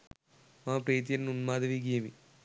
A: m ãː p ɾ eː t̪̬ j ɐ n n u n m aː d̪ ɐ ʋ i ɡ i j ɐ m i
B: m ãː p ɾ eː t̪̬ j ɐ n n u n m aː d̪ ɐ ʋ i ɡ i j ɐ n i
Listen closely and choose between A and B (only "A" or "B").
A